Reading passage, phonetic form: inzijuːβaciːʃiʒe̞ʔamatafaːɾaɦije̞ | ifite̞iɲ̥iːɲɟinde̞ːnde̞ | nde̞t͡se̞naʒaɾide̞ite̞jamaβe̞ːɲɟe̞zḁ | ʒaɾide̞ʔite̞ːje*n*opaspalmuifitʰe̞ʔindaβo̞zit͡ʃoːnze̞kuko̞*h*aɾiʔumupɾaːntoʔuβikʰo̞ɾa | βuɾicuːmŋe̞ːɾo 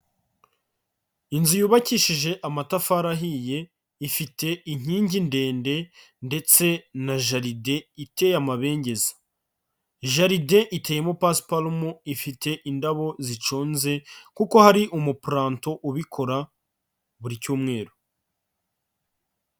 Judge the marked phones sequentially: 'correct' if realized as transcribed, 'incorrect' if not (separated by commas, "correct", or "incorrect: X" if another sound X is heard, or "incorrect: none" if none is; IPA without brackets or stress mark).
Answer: incorrect: m, correct